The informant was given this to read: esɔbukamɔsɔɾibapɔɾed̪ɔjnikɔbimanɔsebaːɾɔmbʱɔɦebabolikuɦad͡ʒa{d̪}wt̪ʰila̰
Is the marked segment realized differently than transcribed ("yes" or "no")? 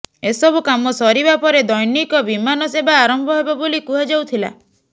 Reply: yes